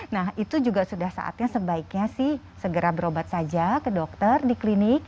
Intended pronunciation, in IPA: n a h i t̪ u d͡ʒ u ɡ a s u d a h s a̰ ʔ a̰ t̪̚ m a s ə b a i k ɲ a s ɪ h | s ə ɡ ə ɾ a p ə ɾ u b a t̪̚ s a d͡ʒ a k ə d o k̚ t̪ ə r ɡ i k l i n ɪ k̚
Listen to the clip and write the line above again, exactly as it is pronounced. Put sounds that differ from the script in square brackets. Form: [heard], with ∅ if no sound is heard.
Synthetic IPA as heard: n a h i t̪ u d͡ʒ u ɡ a s u d a h s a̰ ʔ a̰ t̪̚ [ɲ] a s ə b a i k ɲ a s ɪ h | s ə ɡ ə ɾ a [b] ə ɾ [o] b a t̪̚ s a d͡ʒ a k ə d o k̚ t̪ ə r [d] i k l i n ɪ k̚